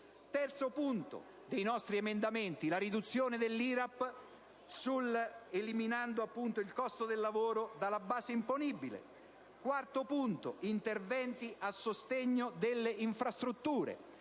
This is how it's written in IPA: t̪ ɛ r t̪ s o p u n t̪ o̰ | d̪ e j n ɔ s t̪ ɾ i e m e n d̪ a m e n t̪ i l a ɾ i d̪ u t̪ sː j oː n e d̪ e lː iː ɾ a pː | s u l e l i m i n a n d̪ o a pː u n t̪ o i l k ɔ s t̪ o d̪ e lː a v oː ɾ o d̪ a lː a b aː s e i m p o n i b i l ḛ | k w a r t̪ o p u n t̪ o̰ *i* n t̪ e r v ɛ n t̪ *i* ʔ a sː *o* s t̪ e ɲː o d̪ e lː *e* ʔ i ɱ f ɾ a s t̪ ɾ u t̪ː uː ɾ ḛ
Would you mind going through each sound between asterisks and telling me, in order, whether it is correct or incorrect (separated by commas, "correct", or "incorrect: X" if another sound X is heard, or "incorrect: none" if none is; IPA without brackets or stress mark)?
correct, correct, correct, correct